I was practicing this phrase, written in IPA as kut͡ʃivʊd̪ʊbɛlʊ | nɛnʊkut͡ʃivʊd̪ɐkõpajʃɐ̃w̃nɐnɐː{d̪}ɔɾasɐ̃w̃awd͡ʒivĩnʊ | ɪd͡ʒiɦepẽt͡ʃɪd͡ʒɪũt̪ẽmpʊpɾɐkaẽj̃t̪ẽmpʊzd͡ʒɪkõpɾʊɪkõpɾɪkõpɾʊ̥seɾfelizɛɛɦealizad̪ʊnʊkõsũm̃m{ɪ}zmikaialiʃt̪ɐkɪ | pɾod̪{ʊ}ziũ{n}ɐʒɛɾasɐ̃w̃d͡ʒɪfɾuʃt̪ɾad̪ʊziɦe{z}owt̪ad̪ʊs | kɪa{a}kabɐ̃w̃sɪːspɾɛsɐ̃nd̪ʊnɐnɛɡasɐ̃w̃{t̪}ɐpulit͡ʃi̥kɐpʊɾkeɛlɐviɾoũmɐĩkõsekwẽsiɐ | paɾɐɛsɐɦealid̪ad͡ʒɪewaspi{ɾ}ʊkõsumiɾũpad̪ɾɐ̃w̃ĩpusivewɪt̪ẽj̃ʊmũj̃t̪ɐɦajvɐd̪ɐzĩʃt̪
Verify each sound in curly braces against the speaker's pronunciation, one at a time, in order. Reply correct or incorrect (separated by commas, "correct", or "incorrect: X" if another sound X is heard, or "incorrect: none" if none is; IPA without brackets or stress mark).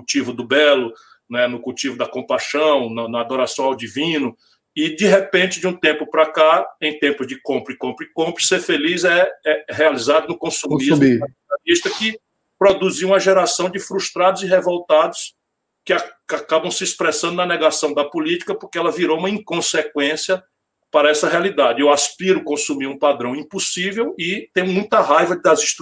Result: correct, incorrect: i, incorrect: u, incorrect: m, incorrect: v, correct, incorrect: d̪, correct